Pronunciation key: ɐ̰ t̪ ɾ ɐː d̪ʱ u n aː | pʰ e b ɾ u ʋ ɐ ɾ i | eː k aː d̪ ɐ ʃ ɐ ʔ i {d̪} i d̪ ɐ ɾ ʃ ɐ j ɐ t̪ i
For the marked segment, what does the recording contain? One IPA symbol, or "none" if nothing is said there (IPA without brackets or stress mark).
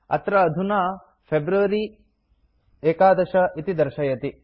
t̪